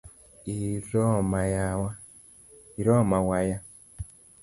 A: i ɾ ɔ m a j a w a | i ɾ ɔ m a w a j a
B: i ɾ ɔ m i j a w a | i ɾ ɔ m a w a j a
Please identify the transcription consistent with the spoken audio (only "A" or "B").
A